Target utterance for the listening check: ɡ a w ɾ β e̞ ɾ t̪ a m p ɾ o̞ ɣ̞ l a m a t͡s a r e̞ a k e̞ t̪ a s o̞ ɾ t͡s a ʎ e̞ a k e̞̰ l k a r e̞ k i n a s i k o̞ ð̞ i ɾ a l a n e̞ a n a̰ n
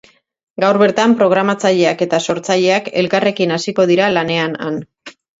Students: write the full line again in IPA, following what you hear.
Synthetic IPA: ɡ a w ɾ β e̞ ɾ t̪ a m p ɾ o̞ ɣ̞ ɾ a m a t͡s a ʎ e̞ a k e̞ t̪ a s o̞ ɾ t͡s a ʎ e̞ a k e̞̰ l k a r e̞ k i n a s i k o̞ ð̞ i ɾ a l a n e̞ a n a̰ n